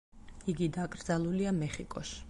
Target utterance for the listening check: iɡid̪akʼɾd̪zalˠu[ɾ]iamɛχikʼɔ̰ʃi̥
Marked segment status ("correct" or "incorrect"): incorrect